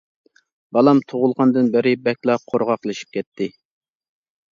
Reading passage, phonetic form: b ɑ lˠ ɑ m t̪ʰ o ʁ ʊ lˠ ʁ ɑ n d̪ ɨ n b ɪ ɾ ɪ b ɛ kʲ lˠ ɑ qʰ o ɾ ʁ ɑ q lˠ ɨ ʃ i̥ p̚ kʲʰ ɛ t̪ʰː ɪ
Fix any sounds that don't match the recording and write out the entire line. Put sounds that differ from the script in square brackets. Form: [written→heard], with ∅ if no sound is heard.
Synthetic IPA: b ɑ lˠ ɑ m t̪ʰ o ʁ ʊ lˠ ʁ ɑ n d̪ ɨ n b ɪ ɾ ɪ b ɛ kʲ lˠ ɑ qʰ o ɾ ʁ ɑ q lˠ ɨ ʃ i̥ p̚ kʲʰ ɛ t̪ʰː ɪ